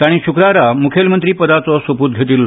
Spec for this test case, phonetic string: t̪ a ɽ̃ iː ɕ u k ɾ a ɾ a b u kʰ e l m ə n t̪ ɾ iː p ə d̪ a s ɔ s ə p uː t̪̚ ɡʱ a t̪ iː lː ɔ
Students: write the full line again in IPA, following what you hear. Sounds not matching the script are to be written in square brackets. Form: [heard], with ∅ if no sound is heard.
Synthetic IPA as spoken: t̪ a ɽ̃ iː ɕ u k ɾ a ɾ a [m] u kʰ e l m ə n t̪ ɾ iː p ə d̪ a [t͡s] ɔ s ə p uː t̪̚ ɡʱ [e] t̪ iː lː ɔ